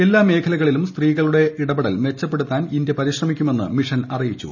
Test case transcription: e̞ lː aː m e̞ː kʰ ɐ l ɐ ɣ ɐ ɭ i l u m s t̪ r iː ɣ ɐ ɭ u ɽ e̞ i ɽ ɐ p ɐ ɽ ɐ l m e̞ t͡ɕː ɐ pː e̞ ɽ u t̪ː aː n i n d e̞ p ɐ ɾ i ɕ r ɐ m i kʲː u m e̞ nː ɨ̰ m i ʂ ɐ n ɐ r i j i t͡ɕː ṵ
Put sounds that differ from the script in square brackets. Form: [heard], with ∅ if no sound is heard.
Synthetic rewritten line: e̞ lː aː m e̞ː kʰ ɐ l ɐ ɣ ɐ ɭ i l u m s t̪ r iː ɣ ɐ ɭ u ɽ e̞ i ɽ ɐ [b] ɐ ɽ ɐ l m e̞ t͡ɕː ɐ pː e̞ ɽ u t̪ː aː n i n d e̞ p ɐ ɾ i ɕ r ɐ m i kʲː u m e̞ nː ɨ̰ m i ʂ ɐ n ɐ r i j i t͡ɕː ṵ

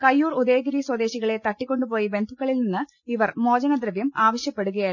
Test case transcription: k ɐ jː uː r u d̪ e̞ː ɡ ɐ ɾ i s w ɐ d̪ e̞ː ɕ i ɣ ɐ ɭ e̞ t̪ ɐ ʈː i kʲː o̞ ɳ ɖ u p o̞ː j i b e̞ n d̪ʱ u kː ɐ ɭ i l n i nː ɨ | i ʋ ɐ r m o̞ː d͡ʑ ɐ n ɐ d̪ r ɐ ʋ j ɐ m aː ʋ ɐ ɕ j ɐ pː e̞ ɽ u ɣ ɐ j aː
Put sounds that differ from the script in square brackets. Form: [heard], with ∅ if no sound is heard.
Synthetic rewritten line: k ɐ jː uː r u d̪ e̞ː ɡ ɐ ɾ i s w ɐ d̪ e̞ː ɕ i ɣ ɐ ɭ e̞ t̪ ɐ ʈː i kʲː o̞ ɳ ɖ u p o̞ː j i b e̞ n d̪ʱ u kː ɐ ɭ i l n i nː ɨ | i ʋ ɐ r m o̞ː d͡ʑ ɐ n ɐ d̪ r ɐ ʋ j ɐ m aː ʋ ɐ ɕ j ɐ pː e̞ ɽ u ɣ ɐ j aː

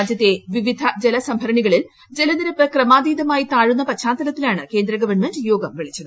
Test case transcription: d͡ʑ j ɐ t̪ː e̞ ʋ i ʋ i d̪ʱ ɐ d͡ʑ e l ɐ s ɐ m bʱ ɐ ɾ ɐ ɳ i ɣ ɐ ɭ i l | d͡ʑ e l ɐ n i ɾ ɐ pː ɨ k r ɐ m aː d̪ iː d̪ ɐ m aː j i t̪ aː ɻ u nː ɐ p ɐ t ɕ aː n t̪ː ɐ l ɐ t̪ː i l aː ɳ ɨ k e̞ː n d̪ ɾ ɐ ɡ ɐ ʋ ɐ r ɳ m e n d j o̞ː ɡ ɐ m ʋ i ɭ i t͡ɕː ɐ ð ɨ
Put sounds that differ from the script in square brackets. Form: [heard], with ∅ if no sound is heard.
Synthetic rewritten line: d͡ʑ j ɐ t̪ː e̞ ʋ i ʋ i d̪ʱ ɐ d͡ʑ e l ɐ s ɐ m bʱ ɐ ɾ ɐ ɳ i ɣ ɐ ɭ i l | d͡ʑ e l ɐ n i ɾ ɐ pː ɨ k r ɐ m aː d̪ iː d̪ ɐ m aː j i t̪ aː ɻ u nː ɐ p ɐ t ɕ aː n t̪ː ɐ l ɐ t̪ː i l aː ɳ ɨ k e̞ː n d̪ ɾ ɐ ɡ ɐ ʋ ɐ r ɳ m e n d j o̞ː ɡ ɐ m ʋ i ɭ i t͡ɕː ɐ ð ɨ

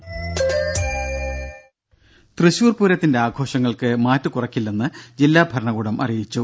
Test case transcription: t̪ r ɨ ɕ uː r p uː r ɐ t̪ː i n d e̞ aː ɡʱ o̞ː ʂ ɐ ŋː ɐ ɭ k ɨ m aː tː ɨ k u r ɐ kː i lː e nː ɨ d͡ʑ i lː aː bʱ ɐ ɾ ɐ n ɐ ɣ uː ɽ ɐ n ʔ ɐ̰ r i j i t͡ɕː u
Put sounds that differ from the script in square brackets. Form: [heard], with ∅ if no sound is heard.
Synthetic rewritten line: t̪ r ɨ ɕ uː r p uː [ɾ] ɐ t̪ː i n d e̞ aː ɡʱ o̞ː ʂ ɐ ŋː ɐ ɭ k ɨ m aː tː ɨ k u r ɐ kː i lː e nː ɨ d͡ʑ i lː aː bʱ ɐ ɾ ɐ [ɳ] ɐ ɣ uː ɽ ɐ [m] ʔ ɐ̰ r i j i t͡ɕː u

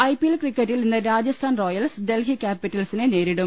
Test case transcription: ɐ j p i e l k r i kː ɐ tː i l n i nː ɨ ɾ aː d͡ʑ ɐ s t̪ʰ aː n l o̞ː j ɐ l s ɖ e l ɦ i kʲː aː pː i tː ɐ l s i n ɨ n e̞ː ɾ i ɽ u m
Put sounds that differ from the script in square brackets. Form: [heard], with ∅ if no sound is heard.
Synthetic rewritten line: ɐ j p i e l k r i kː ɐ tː i l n i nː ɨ ɾ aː d͡ʑ ɐ s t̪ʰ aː n [r] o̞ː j ɐ l s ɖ e l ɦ i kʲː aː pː i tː ɐ l s i n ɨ n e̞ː ɾ i ɽ u m

